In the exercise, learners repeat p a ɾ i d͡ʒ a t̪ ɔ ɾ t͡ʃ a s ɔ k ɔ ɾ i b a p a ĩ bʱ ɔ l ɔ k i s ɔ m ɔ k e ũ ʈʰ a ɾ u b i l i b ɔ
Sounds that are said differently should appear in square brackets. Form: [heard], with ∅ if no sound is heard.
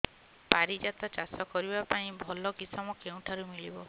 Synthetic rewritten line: p a ɾ i d͡ʒ a t̪ ɔ [∅] t͡ʃ a s ɔ k ɔ ɾ i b a p a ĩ bʱ ɔ l ɔ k i s ɔ m ɔ k e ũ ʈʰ a ɾ u [m] i l i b ɔ